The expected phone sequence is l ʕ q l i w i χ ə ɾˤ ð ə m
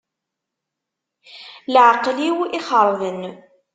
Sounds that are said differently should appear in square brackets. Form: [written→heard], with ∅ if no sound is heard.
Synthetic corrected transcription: l ʕ q l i w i χ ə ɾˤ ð ə [m→n]